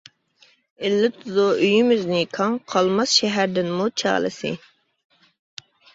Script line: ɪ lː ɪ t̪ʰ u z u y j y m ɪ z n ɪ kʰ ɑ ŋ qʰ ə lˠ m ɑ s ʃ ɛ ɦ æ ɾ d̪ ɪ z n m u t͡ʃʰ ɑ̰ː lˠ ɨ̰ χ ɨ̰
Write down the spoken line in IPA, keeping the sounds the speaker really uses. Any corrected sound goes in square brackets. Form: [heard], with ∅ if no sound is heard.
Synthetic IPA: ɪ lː ɪ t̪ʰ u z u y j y m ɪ z n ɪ kʰ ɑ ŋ qʰ [ɑ] lˠ m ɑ s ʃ ɛ ɦ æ ɾ d̪ ɪ [∅] n m u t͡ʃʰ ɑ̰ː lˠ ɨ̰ [s] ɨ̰